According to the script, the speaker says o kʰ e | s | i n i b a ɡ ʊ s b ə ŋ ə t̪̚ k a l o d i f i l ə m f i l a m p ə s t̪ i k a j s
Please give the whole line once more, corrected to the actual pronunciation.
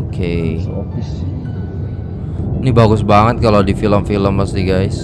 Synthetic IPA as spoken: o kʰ e | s | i n i b a ɡ ʊ s b a ŋ ə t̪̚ k a l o d i f i l ə m f i l ə m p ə s t̪ i ɡ a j s